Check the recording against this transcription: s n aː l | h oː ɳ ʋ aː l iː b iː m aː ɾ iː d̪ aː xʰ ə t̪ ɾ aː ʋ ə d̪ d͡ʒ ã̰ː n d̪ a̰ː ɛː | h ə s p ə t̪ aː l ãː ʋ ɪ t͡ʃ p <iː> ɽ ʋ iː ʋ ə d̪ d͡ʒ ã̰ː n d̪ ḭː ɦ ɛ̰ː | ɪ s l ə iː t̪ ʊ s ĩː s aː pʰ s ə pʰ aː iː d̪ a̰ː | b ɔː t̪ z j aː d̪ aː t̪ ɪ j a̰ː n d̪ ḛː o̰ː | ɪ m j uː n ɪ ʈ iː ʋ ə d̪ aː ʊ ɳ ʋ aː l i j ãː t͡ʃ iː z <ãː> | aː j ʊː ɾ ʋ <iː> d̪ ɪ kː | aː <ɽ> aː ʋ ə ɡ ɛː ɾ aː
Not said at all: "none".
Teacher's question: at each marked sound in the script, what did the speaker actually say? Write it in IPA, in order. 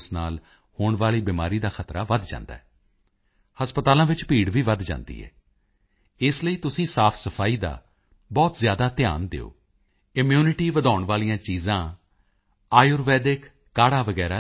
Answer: iː, ãː, ɛː, ɽ

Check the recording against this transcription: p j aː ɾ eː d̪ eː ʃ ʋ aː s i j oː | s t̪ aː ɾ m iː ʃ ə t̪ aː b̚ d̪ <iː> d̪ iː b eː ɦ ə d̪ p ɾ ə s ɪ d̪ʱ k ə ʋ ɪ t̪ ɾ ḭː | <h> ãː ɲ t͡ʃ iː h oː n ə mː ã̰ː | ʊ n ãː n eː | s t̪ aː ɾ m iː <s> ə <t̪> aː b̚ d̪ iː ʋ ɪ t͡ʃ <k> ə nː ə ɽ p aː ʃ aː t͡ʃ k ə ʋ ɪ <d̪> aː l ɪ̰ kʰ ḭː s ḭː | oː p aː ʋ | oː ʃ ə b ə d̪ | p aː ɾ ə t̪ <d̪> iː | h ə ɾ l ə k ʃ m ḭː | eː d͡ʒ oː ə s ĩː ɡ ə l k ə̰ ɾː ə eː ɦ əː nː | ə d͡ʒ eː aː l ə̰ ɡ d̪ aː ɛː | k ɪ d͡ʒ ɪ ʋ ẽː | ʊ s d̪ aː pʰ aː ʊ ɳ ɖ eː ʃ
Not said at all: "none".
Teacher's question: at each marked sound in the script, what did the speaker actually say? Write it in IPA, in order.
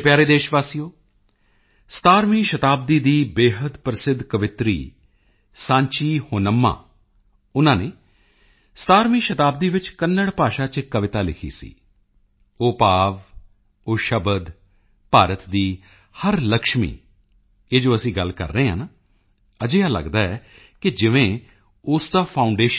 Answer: iː, s, ʃ, t̪, k, t̪, d̪

